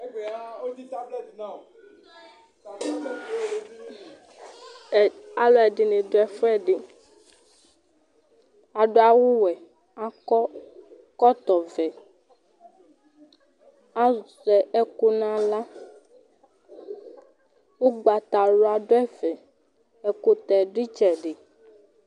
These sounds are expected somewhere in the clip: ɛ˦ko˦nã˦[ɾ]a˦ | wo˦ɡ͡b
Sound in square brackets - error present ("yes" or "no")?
yes